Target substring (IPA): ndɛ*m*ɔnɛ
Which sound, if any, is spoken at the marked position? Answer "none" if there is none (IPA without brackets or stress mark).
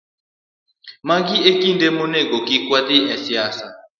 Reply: m